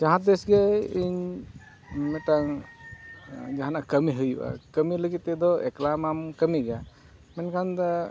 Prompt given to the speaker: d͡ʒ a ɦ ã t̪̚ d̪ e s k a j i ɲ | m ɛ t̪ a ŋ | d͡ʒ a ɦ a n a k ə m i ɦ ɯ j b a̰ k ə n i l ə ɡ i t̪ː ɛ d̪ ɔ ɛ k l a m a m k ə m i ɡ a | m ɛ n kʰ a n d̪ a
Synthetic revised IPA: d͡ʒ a ɦ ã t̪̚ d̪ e s ɡ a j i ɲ | m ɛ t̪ a ŋ | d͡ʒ a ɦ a n a k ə m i ɦ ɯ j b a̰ k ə m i l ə ɡ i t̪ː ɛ d̪ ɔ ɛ k l a m a m k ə m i ɡ a | m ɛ n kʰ a n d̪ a